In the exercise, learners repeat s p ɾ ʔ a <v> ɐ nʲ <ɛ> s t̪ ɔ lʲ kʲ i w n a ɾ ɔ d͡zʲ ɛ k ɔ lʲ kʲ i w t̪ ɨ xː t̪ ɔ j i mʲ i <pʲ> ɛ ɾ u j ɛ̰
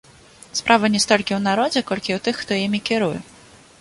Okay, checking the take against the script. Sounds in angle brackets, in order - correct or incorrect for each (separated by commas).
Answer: correct, correct, incorrect